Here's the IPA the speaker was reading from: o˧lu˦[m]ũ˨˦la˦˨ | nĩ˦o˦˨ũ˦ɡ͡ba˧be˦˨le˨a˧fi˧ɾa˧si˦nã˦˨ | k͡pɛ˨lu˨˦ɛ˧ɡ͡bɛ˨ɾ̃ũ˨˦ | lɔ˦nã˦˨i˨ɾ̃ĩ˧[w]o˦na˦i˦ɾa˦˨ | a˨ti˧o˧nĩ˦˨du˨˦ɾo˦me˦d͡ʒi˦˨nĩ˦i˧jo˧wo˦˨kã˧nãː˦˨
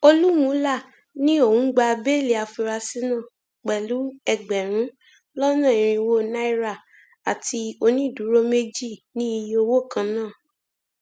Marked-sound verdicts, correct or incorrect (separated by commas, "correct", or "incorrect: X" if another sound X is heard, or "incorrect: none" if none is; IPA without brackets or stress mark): correct, correct